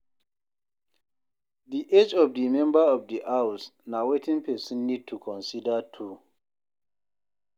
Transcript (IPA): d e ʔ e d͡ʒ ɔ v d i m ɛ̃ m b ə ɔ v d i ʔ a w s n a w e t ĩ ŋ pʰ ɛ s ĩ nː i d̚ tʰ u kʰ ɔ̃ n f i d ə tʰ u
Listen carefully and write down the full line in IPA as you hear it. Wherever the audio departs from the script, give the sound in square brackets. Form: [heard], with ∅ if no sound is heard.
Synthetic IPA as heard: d [i] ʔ e d͡ʒ ɔ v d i m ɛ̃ m b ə ɔ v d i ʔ a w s n a w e t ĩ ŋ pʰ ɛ s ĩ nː i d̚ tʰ u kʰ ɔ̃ n [s] i d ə tʰ u